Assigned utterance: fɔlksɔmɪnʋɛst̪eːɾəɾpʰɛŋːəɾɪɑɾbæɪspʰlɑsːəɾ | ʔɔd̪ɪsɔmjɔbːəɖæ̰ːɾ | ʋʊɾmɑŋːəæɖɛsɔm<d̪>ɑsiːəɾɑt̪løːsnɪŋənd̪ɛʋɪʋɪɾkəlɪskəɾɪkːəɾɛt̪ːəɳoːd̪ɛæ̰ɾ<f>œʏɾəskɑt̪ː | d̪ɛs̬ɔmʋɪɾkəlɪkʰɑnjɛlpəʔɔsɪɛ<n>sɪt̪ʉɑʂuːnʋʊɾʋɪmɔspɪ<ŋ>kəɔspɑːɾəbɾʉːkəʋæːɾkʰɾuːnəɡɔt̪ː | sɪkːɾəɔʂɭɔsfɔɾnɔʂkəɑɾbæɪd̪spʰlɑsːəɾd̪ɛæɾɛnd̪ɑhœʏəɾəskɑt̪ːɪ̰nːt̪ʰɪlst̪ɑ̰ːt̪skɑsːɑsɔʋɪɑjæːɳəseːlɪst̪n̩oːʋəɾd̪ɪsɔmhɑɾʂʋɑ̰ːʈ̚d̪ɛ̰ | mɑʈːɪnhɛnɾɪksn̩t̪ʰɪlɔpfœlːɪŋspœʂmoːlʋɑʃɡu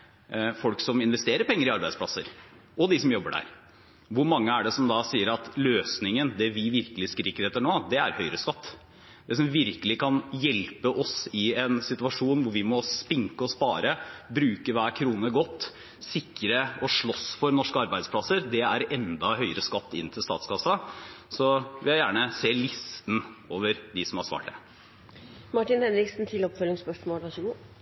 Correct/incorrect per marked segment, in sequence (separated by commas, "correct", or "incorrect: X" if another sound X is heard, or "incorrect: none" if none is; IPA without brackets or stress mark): correct, incorrect: h, correct, correct